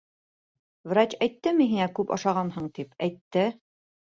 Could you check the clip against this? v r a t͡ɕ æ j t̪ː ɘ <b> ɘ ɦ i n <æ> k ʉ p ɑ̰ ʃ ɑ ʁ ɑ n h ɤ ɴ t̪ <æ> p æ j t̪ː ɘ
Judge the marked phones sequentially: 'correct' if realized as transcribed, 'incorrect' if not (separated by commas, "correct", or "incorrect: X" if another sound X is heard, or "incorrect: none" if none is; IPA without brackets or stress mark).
incorrect: m, correct, incorrect: i